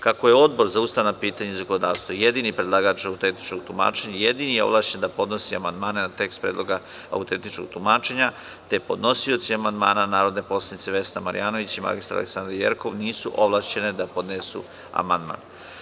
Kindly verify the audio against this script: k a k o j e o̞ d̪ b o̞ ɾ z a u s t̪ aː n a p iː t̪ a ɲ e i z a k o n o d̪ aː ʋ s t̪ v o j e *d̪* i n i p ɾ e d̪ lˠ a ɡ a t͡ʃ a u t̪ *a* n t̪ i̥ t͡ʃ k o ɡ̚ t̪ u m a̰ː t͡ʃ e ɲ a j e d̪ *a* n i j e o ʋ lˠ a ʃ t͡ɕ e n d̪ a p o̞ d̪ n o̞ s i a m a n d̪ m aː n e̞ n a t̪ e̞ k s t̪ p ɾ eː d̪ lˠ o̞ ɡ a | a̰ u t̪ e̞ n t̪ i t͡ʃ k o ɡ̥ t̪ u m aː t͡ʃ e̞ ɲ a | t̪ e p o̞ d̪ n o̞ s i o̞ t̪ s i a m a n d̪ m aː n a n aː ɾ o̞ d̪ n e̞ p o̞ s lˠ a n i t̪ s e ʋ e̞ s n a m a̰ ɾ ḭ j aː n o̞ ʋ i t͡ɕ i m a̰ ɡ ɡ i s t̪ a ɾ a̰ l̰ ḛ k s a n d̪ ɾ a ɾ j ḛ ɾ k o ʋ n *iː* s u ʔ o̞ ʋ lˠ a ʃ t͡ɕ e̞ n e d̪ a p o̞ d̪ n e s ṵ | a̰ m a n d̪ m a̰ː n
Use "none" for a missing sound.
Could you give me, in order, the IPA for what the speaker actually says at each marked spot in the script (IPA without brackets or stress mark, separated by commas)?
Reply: d̪, e, i, iː